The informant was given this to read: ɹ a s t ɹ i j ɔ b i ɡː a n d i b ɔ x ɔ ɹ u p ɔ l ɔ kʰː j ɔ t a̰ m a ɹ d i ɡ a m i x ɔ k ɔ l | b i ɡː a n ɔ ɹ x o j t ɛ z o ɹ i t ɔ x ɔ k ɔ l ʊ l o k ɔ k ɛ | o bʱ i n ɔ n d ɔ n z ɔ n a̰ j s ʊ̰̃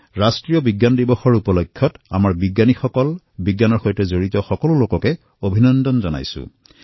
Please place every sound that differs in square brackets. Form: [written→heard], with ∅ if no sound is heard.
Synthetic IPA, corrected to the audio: ɹ a s t ɹ i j ɔ b i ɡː a n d i b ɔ x ɔ ɹ u p ɔ l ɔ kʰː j ɔ t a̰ m a ɹ [d→b] i ɡ a [m→n] i x ɔ k ɔ l | b i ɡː a n ɔ ɹ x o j t ɛ z o ɹ i t ɔ x ɔ k ɔ l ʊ l o k ɔ k ɛ | o bʱ i n ɔ n d ɔ n z ɔ n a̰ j s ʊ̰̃

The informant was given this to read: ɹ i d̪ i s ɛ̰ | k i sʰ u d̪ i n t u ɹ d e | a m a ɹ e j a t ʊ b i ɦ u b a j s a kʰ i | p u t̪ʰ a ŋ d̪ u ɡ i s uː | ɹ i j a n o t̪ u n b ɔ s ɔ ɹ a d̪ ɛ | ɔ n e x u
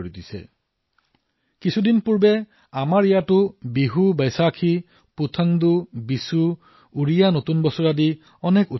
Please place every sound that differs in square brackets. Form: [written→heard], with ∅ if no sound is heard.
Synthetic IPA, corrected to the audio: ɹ i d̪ i s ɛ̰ | k i sʰ u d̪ i n [t→p] u ɹ [d→b] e | a m a ɹ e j a t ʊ b i ɦ u b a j s a kʰ i | p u t̪ʰ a ŋ d̪ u [ɡ→b] i s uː | ɹ i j a n o t̪ u n b ɔ s ɔ ɹ a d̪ [ɛ→i] | ɔ n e [x→k] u

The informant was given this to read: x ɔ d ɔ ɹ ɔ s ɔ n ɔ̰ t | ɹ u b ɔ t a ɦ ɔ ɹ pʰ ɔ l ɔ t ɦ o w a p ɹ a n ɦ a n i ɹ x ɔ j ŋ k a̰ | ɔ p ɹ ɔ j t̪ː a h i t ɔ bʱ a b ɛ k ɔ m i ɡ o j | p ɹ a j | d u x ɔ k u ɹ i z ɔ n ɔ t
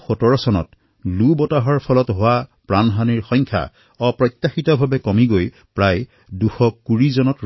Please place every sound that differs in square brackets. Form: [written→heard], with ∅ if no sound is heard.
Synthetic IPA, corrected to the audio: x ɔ [d→t] ɔ ɹ ɔ s ɔ n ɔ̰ t | [ɹ→l] u b ɔ t a ɦ ɔ ɹ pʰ ɔ l ɔ t ɦ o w a p ɹ a n ɦ a n i ɹ x ɔ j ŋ [k→kʰ] a̰ | ɔ p ɹ ɔ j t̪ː a [h→x] i t ɔ bʱ a b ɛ k ɔ m i ɡ o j | p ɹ a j | d u x ɔ k u ɹ i z ɔ n ɔ t

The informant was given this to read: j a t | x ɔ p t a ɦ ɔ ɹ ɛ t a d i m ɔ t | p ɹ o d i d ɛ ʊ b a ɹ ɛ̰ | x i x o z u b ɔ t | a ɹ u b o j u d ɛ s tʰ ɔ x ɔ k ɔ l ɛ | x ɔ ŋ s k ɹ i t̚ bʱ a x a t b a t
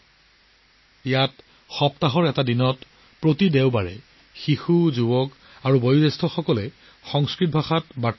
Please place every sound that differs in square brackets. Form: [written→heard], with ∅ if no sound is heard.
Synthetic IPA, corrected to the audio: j a t | x ɔ p t a ɦ ɔ ɹ ɛ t a d i [m→n] ɔ t | p ɹ o [d→t] i d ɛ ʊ b a ɹ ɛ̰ | x i x [o→u] z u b ɔ [t→k] | a ɹ u b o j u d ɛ s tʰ ɔ x ɔ k ɔ l ɛ | x ɔ ŋ s k ɹ i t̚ bʱ a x a t b a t

